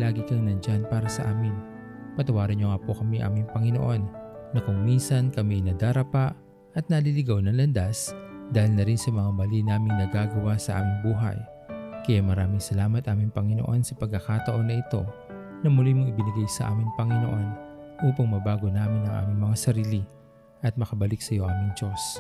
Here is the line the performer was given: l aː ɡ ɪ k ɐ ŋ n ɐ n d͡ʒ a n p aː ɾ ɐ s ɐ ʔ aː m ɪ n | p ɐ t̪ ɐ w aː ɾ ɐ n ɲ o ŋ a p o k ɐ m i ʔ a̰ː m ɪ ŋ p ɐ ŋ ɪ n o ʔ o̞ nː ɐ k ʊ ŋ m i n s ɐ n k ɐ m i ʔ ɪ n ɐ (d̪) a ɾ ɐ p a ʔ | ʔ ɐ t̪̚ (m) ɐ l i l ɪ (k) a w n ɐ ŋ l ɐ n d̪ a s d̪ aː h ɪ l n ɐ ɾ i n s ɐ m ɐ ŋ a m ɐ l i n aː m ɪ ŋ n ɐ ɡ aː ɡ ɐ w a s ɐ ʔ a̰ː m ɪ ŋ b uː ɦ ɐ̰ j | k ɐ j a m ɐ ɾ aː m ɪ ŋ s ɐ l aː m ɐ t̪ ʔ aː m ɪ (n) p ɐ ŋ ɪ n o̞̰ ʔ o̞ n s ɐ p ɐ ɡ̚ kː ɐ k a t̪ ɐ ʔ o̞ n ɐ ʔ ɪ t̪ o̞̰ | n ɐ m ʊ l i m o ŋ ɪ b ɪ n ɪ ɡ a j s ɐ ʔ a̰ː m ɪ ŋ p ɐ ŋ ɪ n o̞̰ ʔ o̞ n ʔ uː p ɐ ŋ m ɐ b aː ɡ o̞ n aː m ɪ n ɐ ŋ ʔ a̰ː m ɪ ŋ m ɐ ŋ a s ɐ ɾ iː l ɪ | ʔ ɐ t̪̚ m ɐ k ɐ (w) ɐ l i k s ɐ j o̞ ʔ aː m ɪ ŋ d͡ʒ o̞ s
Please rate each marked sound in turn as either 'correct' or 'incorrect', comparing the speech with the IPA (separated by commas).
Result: correct, incorrect, incorrect, incorrect, incorrect